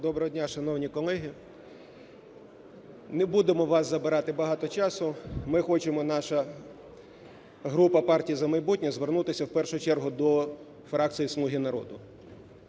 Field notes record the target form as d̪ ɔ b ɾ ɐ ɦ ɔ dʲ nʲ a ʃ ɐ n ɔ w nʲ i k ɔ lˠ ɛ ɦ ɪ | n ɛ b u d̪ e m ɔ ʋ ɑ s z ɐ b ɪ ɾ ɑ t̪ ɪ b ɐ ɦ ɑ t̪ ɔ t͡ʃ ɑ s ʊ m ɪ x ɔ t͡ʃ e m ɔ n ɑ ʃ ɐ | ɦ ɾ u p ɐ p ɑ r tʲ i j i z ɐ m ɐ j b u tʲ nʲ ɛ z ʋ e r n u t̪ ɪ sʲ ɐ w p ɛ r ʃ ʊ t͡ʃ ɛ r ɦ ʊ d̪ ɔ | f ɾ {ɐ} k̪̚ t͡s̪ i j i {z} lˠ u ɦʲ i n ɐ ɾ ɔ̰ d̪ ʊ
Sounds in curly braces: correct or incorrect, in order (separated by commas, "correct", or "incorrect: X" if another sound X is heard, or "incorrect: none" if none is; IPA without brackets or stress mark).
incorrect: ɑ, incorrect: s